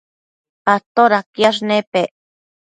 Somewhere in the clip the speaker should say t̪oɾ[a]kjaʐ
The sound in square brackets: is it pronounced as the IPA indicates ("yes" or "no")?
yes